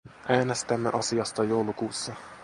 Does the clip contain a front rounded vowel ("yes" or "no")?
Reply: no